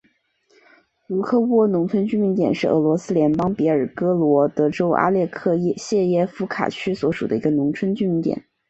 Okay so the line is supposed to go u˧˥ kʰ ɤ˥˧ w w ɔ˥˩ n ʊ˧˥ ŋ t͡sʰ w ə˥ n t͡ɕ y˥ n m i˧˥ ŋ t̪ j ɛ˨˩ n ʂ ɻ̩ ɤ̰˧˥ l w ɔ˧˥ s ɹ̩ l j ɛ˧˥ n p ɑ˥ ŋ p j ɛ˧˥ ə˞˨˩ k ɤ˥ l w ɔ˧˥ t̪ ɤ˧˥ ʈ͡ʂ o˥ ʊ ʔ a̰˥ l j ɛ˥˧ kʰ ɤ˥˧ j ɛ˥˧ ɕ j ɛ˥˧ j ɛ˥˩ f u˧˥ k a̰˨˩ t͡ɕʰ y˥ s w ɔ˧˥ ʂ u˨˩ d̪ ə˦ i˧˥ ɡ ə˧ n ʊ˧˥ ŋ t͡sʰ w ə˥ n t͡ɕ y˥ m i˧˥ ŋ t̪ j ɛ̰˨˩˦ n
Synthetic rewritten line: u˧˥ kʰ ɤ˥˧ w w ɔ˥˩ n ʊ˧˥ ŋ t͡sʰ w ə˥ n t͡ɕ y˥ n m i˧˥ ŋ t̪ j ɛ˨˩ n ʂ ɻ̩ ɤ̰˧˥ l w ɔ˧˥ s ɹ̩ l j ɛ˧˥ n p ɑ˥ ŋ p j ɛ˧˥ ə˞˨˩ k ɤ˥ l w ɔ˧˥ t̪ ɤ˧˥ ʈ͡ʂ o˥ ʊ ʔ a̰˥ l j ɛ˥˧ kʰ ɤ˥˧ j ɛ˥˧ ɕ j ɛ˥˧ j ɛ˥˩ f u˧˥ kʰ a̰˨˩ t͡ɕʰ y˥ s w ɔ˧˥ ʂ u˨˩ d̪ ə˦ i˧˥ ɡ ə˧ n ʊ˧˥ ŋ t͡sʰ w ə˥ n t͡ɕ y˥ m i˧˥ ŋ t̪ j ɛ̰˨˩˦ n